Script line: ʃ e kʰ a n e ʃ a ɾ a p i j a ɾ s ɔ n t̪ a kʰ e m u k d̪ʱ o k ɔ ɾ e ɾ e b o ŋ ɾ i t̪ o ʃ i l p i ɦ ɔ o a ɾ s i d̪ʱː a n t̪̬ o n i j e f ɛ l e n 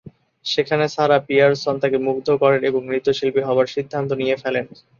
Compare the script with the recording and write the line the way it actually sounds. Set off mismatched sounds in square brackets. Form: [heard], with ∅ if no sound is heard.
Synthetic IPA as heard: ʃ e kʰ a n e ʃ a ɾ a p i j a ɾ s ɔ n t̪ a [k] e m u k d̪ʱ o k ɔ ɾ e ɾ e b o ŋ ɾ i t̪ o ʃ i l p i ɦ ɔ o a ɾ [ʃ] i d̪ʱː a n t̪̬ o n i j e f ɛ l e n